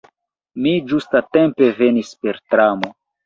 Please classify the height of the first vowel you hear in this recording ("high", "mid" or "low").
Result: high